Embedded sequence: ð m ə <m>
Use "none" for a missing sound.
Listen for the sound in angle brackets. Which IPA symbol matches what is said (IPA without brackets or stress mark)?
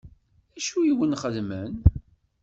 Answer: n